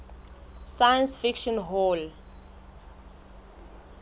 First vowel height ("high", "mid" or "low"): low